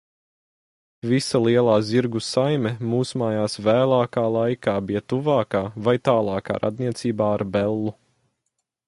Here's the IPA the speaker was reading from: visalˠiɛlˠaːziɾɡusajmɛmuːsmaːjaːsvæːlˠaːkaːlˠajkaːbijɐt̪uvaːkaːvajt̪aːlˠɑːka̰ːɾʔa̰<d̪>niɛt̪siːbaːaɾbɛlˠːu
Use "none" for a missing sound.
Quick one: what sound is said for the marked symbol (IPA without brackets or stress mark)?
d̪